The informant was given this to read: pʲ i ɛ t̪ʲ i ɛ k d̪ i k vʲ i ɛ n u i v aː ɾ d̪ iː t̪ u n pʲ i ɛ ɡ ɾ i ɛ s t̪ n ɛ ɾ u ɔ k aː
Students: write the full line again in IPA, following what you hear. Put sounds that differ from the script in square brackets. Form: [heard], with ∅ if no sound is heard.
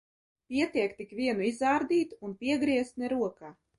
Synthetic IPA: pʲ i ɛ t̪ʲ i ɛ k [t̪] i k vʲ i ɛ n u i [z] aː ɾ d̪ iː t̪ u n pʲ i ɛ ɡ ɾ i ɛ s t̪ n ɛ ɾ u ɔ k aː